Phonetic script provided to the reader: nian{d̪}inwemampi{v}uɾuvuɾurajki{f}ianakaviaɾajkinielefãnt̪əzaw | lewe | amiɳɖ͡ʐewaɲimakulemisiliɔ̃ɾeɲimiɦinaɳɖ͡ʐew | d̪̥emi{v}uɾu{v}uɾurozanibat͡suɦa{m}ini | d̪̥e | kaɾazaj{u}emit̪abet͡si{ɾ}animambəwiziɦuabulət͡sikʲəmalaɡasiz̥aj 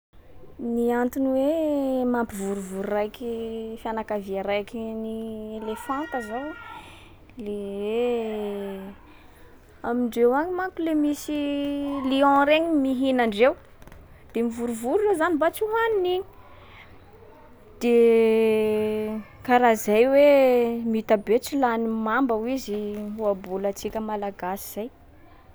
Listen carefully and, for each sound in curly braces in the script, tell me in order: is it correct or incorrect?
incorrect: t̪, correct, correct, correct, correct, incorrect: n, incorrect: w, incorrect: l

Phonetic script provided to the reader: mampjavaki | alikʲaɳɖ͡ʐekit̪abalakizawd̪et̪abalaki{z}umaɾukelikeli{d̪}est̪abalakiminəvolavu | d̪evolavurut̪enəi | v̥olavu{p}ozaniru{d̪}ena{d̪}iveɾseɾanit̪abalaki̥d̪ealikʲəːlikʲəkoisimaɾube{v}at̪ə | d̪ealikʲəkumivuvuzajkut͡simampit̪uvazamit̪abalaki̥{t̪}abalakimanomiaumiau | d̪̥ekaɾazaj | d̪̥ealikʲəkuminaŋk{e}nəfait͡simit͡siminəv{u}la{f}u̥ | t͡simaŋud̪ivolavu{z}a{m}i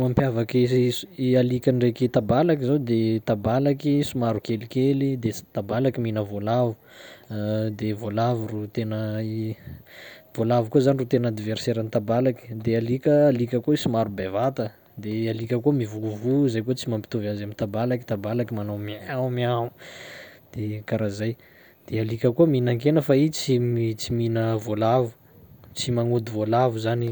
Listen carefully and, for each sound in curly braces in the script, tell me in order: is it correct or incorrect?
incorrect: s, correct, incorrect: k, incorrect: t̪, correct, correct, correct, correct, incorrect: o, incorrect: v, correct, incorrect: n

